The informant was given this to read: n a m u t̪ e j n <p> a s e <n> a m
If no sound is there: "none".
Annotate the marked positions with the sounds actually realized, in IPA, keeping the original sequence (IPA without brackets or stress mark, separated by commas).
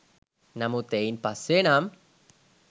p, n